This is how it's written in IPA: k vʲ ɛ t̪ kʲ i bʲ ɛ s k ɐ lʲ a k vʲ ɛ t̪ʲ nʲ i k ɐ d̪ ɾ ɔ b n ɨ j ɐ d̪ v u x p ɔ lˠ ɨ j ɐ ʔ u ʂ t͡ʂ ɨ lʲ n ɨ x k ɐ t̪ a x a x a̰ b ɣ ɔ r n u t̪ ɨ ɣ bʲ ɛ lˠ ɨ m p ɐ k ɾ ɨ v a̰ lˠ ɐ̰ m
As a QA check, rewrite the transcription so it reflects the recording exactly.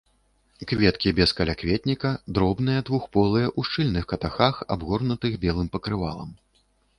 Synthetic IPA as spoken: k vʲ ɛ t̪ kʲ i bʲ ɛ s k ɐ lʲ a k vʲ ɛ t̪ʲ nʲ i k ɐ d̪ ɾ ɔ b n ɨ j ɐ d̪ v u x p ɔ lˠ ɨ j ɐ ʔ u ʂ t͡ʂ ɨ lʲ n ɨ x k ɐ t̪ a x a x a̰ b ɣ ɔ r n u t̪ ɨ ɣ bʲ ɛ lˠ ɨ m p ɐ k ɾ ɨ v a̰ lˠ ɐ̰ m

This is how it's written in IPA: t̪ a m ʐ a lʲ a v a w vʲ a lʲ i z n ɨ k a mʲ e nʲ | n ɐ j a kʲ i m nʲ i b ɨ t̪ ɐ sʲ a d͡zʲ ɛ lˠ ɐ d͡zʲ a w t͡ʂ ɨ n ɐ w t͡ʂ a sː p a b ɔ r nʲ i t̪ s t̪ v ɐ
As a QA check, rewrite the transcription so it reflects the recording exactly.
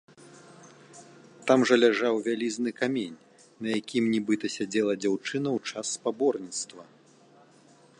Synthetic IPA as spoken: t̪ a m ʐ ɐ lʲ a ʐ a w vʲ a lʲ i z n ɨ k a mʲ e nʲ | n ɐ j a kʲ i m nʲ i b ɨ t̪ ɐ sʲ a d͡zʲ ɛ lˠ ɐ d͡zʲ a w t͡ʂ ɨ n ɐ w t͡ʂ a sː p a b ɔ r nʲ i t̪ s t̪ v ɐ

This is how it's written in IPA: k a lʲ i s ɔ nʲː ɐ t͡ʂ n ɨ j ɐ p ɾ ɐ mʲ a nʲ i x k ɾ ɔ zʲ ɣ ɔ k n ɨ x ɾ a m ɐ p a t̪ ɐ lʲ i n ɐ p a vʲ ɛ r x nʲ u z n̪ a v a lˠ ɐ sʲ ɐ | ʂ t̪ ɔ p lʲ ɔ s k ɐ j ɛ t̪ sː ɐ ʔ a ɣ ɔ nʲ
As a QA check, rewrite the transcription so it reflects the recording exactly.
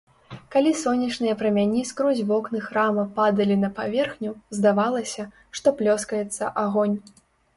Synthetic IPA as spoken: k a lʲ i s ɔ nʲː ɐ t͡ʂ n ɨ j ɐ p ɾ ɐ mʲ a nʲ i s k ɾ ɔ zʲ v ɔ k n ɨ x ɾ a m ɐ p a d̪ ɐ lʲ i n ɐ p a vʲ ɛ r x nʲ u z d̪ a v a lˠ ɐ sʲ ɐ | ʂ t̪ ɔ p lʲ ɔ s k ɐ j ɛ t̪ sː ɐ ʔ a ɣ ɔ nʲ

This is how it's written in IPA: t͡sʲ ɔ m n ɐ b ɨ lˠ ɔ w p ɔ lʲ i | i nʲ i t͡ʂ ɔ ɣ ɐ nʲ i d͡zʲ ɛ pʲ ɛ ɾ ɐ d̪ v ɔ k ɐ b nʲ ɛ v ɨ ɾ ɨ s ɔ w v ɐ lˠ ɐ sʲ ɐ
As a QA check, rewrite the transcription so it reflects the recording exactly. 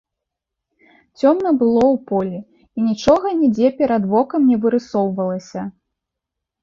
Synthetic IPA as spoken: t͡sʲ ɔ m n ɐ b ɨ lˠ ɔ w p ɔ lʲ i | i nʲ i t͡ʂ ɔ ɣ ɐ nʲ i d͡zʲ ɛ pʲ ɛ ɾ ɐ d̪ v ɔ k ɐ m nʲ ɛ v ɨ ɾ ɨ s ɔ w v ɐ lˠ ɐ sʲ ɐ

